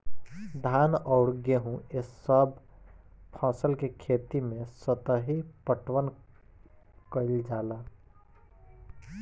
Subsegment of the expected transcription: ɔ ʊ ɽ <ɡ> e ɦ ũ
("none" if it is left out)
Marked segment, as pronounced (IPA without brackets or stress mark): ɡ